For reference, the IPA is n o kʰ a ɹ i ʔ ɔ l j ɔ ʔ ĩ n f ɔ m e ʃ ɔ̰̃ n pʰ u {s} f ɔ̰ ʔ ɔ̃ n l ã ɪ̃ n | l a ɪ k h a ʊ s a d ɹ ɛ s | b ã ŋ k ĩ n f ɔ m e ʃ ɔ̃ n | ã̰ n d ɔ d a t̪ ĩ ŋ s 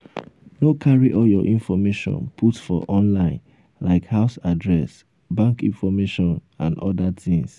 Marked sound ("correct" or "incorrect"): incorrect